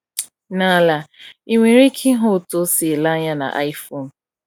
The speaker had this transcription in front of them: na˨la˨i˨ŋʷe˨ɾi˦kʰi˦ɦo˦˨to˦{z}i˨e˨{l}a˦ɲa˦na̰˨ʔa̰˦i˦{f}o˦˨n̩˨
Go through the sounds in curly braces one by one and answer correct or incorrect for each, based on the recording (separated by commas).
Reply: incorrect, correct, correct